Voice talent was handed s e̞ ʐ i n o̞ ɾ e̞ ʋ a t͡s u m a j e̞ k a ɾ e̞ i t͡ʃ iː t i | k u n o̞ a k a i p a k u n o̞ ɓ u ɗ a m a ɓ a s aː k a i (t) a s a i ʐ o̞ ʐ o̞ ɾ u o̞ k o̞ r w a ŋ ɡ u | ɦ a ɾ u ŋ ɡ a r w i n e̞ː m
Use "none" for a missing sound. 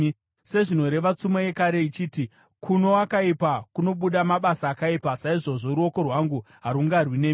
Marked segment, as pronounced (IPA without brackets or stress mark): p